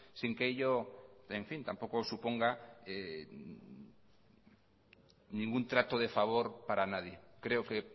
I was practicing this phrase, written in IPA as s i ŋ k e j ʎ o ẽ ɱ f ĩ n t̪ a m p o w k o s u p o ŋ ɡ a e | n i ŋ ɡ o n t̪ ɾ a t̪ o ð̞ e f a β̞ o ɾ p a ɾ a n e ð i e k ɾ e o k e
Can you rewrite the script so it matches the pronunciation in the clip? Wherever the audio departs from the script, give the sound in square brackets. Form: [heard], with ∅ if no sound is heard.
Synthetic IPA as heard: s i ŋ k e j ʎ o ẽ ɱ f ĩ n t̪ a m p o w k o s u p o ŋ ɡ a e | n [ĩ] ŋ ɡ [u] n t̪ ɾ a t̪ o ð̞ e f a β̞ o ɾ p a ɾ a n [a] ð [j] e k ɾ e o k e

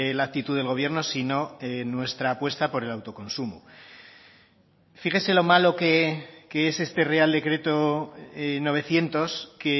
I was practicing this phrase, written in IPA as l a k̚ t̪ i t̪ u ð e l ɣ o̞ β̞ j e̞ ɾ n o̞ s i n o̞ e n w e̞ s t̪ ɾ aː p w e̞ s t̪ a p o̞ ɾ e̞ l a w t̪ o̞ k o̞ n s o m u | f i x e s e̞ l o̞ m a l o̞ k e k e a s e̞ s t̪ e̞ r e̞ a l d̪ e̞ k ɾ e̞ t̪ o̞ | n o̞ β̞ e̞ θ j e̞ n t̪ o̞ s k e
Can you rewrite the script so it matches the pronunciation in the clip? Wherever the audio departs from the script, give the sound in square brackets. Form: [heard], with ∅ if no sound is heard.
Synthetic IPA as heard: l a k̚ t̪ i t̪ u ð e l ɣ o̞ β̞ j e̞ ɾ n o̞ s i n o̞ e n w e̞ s t̪ ɾ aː p w e̞ s t̪ a p o̞ ɾ e̞ l a w t̪ o̞ k o̞ n s [u] m u | f i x e s e̞ l o̞ m a l o̞ k e k e [e] s e̞ s t̪ e̞ r e̞ a l d̪ e̞ k ɾ e̞ t̪ o̞ | n o̞ β̞ e̞ θ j e̞ n t̪ o̞ s k e

